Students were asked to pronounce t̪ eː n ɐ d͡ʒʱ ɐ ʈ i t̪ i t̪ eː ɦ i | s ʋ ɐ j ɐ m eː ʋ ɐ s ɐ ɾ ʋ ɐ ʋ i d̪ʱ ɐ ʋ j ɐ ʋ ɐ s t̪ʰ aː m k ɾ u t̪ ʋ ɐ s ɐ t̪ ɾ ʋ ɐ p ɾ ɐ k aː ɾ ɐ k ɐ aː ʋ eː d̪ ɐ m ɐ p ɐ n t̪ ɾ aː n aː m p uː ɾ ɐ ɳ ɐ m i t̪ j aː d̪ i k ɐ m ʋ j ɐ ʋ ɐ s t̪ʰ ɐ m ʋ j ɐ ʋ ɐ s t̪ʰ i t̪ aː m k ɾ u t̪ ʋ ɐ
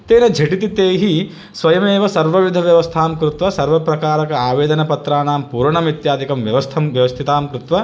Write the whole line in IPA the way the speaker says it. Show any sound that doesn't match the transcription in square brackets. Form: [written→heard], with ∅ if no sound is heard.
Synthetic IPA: t̪ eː n ɐ d͡ʒʱ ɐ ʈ i t̪ i t̪ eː ɦ i | s ʋ ɐ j ɐ m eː ʋ ɐ s ɐ ɾ ʋ ɐ ʋ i d̪ʱ ɐ ʋ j ɐ ʋ ɐ s t̪ʰ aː m k ɾ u t̪ ʋ ɐ s ɐ [t̪→∅] ɾ ʋ ɐ p ɾ ɐ k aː ɾ ɐ k ɐ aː ʋ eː d̪ ɐ [m→n] ɐ p ɐ [n→∅] t̪ ɾ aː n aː m p uː ɾ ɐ ɳ ɐ m i t̪ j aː d̪ i k ɐ m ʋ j ɐ ʋ ɐ s t̪ʰ ɐ m ʋ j ɐ ʋ ɐ s t̪ʰ i t̪ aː m k ɾ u t̪ ʋ ɐ